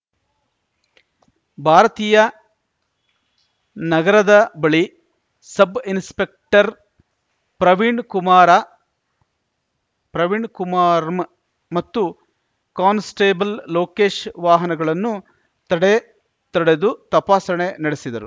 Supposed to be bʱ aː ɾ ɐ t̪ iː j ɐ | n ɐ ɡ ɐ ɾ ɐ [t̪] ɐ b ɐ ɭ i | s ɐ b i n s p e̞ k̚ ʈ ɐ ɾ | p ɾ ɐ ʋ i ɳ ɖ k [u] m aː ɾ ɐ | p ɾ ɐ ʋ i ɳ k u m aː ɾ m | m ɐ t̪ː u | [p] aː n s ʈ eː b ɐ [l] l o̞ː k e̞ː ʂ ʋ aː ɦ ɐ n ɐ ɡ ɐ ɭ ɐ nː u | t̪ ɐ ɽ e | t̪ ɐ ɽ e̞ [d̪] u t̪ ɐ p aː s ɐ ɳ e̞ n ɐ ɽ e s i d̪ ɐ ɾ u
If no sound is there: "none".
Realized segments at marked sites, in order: d̪, u, k, l, d̪

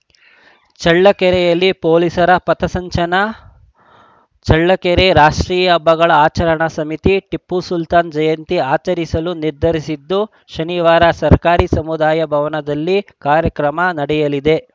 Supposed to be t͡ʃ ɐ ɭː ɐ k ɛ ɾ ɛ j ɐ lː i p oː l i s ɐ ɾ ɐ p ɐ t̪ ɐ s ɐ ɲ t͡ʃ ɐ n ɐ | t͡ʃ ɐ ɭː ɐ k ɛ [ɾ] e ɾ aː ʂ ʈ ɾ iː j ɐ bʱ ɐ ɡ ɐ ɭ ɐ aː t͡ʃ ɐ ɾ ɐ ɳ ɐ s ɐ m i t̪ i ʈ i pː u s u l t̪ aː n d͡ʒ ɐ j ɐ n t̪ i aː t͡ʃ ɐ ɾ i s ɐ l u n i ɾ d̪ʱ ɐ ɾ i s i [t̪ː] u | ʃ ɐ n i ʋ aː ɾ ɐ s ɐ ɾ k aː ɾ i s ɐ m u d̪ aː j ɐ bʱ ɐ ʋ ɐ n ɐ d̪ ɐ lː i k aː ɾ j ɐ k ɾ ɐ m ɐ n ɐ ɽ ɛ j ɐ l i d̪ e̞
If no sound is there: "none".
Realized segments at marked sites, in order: ɾ, d̪ː

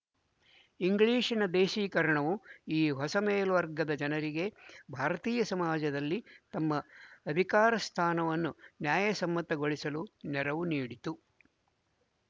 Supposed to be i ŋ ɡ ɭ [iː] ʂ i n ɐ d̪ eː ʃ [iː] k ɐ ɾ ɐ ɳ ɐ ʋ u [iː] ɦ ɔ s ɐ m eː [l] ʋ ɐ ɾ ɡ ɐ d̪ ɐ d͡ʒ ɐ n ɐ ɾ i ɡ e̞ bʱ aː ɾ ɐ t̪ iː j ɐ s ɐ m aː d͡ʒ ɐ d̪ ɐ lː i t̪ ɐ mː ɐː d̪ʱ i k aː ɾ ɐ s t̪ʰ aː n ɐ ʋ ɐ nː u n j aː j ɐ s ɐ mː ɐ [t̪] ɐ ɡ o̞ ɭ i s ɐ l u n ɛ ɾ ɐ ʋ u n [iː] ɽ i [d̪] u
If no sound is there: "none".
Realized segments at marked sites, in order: iː, iː, iː, l, t̪, iː, t̪

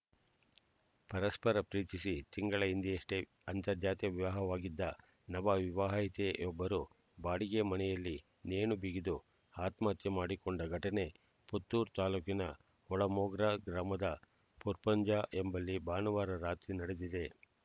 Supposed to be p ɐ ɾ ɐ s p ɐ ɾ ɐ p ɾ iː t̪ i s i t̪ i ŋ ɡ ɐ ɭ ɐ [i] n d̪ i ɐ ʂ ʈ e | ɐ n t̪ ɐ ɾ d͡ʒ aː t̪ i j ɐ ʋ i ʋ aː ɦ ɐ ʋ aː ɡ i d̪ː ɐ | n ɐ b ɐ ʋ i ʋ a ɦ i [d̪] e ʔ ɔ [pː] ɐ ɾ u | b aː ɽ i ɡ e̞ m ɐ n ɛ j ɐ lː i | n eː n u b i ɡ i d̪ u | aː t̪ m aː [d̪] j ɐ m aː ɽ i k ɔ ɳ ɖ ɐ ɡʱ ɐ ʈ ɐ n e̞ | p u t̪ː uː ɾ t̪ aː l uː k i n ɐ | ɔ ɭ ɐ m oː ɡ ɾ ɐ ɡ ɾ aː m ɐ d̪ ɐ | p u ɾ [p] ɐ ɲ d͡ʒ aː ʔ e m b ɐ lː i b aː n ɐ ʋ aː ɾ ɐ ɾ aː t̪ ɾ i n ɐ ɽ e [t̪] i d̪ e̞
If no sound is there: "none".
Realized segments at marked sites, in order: i, t̪, bː, t̪, p, d̪

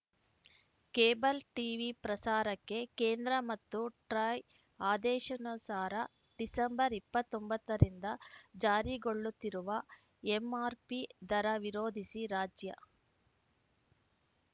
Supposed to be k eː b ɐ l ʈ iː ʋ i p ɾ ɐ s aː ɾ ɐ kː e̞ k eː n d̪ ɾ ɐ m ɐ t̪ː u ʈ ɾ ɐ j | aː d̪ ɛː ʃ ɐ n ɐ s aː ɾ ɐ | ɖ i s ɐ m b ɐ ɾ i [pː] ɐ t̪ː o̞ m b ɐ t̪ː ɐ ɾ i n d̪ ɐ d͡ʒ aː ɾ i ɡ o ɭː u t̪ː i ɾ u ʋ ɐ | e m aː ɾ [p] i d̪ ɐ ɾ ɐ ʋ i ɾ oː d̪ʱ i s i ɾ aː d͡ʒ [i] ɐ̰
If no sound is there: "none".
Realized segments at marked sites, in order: pː, p, j

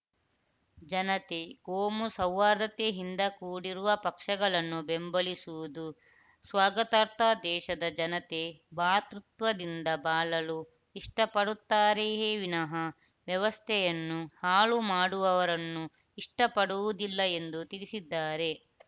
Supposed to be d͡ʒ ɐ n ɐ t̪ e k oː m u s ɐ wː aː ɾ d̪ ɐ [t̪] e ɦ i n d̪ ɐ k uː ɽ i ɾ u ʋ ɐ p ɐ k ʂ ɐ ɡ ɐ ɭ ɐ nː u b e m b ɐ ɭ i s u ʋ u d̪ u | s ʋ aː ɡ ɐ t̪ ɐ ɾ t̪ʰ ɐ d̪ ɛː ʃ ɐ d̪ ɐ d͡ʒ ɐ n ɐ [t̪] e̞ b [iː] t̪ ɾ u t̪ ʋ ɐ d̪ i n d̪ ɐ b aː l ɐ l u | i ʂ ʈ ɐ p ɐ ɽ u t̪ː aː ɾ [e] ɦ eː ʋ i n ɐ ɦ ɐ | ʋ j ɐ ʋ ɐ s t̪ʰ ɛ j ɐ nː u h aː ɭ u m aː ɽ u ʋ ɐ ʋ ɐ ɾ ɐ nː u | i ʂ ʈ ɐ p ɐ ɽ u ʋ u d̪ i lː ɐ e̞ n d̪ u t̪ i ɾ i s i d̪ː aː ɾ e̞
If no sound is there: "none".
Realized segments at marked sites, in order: t̪, t̪, aː, e

